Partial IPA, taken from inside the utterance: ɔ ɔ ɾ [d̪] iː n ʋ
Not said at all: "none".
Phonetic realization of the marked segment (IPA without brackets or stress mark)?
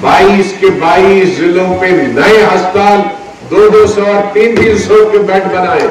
t̪